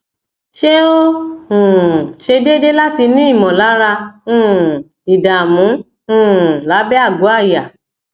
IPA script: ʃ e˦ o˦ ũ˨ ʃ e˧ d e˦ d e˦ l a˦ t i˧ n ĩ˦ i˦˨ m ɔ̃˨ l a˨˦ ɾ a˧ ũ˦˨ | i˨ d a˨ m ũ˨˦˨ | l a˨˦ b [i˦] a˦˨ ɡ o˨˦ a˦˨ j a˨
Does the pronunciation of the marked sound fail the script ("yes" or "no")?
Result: yes